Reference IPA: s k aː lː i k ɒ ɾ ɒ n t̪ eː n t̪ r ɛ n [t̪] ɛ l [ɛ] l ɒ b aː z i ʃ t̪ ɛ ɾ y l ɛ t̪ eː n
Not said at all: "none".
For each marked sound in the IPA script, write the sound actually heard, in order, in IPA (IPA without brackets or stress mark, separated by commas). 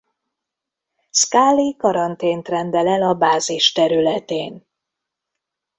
d̪, ɛ